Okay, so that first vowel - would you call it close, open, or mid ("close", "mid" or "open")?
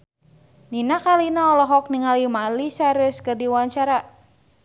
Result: close